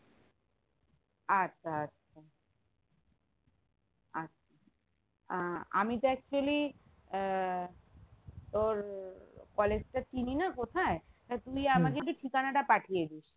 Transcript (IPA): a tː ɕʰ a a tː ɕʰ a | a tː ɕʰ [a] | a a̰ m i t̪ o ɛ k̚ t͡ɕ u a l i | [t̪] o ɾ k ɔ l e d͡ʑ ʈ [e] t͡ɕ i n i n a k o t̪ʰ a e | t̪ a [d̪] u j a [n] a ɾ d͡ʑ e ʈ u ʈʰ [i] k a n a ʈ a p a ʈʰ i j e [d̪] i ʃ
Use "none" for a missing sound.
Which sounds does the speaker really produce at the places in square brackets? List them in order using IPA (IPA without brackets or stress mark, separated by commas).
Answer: a, t̪, a, t̪, m, i, d̪